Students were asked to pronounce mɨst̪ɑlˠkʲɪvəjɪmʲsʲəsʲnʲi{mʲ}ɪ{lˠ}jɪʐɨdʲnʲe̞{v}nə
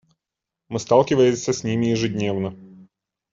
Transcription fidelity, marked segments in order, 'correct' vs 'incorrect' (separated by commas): correct, incorrect, correct